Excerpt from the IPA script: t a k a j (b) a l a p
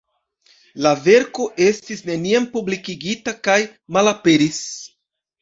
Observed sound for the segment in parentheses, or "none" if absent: m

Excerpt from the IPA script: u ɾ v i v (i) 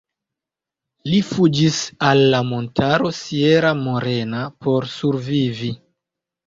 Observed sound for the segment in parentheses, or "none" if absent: i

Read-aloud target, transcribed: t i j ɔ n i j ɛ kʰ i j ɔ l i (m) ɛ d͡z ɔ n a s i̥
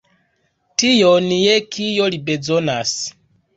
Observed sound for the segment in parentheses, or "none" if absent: b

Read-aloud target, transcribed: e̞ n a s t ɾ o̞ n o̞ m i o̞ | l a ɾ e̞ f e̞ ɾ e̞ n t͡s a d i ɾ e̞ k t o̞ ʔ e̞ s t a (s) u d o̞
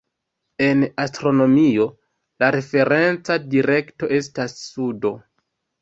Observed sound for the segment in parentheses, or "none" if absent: sː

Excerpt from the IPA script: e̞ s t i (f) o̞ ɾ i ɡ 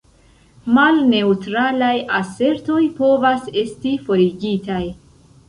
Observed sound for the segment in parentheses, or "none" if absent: f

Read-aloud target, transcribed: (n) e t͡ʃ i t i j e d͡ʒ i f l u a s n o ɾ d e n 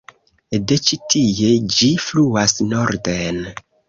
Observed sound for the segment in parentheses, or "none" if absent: d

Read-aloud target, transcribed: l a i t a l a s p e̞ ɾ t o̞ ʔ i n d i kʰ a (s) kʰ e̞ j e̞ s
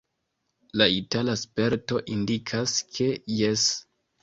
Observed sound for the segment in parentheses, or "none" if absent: s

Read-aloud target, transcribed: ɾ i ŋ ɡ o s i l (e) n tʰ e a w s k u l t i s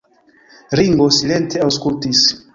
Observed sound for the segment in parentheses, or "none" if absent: e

